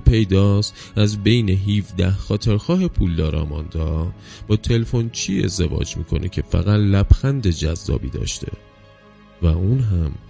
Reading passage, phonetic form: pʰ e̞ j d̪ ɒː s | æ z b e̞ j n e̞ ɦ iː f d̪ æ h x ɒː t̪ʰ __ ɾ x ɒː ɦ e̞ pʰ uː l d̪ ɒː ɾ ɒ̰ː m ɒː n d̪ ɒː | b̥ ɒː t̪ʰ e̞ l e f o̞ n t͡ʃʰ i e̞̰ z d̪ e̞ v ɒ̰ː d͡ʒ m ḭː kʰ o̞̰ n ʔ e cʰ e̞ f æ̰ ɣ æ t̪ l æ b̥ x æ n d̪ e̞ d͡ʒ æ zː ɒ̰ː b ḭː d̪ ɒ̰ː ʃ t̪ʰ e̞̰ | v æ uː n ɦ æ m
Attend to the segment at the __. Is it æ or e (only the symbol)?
e